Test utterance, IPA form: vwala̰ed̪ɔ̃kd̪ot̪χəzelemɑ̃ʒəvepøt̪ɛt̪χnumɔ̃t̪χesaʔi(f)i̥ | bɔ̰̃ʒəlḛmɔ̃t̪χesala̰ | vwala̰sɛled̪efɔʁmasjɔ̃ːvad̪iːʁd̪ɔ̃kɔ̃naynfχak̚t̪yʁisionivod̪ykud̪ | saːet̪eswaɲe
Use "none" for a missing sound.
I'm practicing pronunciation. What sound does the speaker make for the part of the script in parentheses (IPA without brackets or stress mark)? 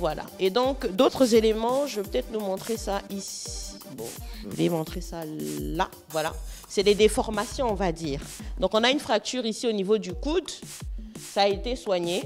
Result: s